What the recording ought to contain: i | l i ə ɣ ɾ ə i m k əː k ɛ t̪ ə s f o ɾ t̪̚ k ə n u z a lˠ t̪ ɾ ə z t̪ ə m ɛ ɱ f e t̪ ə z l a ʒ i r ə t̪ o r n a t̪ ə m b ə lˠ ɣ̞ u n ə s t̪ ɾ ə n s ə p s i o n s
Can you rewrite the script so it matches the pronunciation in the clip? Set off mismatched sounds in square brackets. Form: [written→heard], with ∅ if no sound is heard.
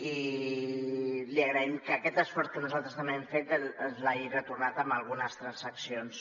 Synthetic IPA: i | l i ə ɣ ɾ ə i m k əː k ɛ t̪ ə s f [o→ɔ] ɾ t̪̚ k ə n u z a lˠ t̪ ɾ ə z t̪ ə m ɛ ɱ f e t̪ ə z l a ʒ i r ə t̪ [o→u] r n a t̪ ə m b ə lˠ ɣ̞ u n ə s t̪ ɾ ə n s ə [p→k] s i o n s

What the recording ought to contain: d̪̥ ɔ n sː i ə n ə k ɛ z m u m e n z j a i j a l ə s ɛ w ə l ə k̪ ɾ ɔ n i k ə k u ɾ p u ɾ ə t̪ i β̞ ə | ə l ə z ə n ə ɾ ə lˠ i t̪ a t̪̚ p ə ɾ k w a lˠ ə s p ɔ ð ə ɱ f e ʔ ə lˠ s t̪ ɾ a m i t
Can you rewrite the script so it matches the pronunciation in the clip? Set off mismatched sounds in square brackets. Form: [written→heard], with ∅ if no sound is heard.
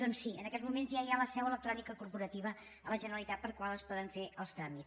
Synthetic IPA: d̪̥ ɔ n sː i ə n ə k ɛ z m u m e n z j a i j a l ə s ɛ w ə l ə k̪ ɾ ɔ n i k ə k u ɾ p u ɾ ə t̪ i β̞ ə | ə l ə [z→ʒ] ə n ə ɾ ə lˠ i t̪ a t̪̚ p ə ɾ k w a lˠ ə s p ɔ ð ə ɱ f e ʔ ə lˠ s t̪ ɾ a m i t

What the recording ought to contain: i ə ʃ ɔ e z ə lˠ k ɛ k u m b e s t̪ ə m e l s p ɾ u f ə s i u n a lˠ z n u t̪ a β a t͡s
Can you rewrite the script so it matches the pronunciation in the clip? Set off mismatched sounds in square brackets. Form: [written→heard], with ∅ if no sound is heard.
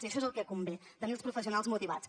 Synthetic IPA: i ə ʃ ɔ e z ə lˠ k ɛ k u m b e [s→∅] t̪ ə m e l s p ɾ u f ə s i u n a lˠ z [n→m] u t̪ [a→i] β a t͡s

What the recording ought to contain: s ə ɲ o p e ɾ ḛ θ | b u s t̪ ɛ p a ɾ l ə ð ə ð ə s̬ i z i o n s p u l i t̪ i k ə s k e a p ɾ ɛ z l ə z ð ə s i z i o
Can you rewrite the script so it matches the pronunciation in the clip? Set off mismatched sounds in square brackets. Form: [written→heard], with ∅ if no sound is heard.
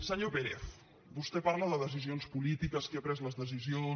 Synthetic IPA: s ə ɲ o p e ɾ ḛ θ | b u s t̪ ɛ p a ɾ l ə ð ə ð ə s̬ i z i o n s p u l i t̪ i k ə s k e a p ɾ ɛ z l ə z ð ə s i z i o

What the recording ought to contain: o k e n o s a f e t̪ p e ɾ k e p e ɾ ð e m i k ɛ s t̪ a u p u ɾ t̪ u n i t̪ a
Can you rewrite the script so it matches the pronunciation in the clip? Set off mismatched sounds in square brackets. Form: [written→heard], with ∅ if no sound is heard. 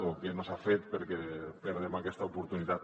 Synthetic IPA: o k e n o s a f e t̪ p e ɾ k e p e ɾ ð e m [i→a] k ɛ s t̪ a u p u ɾ t̪ u n i t̪ a

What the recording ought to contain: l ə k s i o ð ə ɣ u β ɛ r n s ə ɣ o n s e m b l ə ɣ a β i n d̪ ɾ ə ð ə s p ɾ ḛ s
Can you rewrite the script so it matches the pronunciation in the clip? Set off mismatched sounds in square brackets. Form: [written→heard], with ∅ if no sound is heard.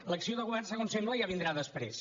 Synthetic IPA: l ə k s i o ð ə ɣ u β ɛ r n s ə ɣ o n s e m b l ə [ɣ→ʒ] a β i n d̪ ɾ [ə→a] ð ə s p ɾ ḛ s

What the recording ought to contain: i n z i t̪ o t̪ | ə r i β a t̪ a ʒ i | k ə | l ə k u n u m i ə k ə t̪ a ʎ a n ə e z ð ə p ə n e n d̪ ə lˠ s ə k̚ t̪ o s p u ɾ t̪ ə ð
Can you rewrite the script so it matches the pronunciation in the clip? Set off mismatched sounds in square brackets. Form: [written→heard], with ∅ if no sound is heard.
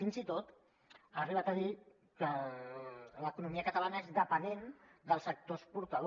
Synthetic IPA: i n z i t̪ o t̪ | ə r i β a t̪ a [ʒ→ð] i | k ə | l ə k u n u m i ə k ə t̪ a [ʎ→l] a n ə e z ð ə p ə n e n d̪ ə lˠ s ə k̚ t̪ o s p u ɾ t̪ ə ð

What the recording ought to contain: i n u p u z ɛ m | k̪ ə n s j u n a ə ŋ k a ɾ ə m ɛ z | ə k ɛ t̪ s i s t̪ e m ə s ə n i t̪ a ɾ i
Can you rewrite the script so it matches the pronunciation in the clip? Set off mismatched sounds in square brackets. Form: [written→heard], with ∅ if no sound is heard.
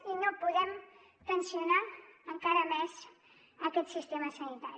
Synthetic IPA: i n [u→o] p u [z→ð] ɛ m | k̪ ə n s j u n a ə ŋ k a ɾ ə m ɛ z | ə k ɛ t̪ s i s t̪ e m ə s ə n i t̪ a ɾ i

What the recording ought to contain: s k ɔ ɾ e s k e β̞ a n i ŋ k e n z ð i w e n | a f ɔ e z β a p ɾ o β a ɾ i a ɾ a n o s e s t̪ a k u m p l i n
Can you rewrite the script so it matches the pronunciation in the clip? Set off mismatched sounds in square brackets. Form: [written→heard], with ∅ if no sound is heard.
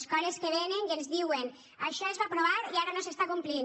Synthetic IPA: s k ɔ ɾ e s k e β̞ [a→e] n [i→e] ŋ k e n z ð i w e n | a [f→ʃ] ɔ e z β a p ɾ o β a ɾ i a ɾ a n o s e s t̪ a k u m p l i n

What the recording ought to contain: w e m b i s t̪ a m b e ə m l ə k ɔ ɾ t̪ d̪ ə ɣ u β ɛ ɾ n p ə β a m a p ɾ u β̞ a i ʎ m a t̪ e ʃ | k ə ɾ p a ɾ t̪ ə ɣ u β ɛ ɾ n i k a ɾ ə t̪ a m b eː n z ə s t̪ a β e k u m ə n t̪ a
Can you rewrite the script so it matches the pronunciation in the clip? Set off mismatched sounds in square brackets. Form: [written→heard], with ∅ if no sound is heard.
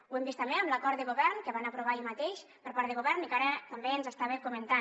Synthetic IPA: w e m b i s t̪ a m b e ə m l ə k ɔ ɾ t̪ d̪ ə ɣ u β ɛ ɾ n [p→k] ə β a [m→n] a p ɾ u β̞ a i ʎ m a t̪ e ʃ | [k→p] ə ɾ p a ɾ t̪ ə ɣ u β ɛ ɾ n i k a ɾ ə t̪ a m b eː n z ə s t̪ a β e k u m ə n t̪ a

